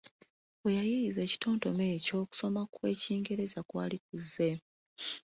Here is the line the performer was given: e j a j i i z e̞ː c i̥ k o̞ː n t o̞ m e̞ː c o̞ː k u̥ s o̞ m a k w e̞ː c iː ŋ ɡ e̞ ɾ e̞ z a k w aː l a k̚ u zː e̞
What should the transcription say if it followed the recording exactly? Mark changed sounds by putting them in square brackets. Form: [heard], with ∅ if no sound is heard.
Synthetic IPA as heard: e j a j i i z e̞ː c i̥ [t] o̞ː n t o̞ m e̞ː c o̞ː k u̥ s o̞ m a k w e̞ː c iː ŋ ɡ e̞ ɾ e̞ z a k w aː l [i] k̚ u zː e̞